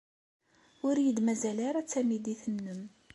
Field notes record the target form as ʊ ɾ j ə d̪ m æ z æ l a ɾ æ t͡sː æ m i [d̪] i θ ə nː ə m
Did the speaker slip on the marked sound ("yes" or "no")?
no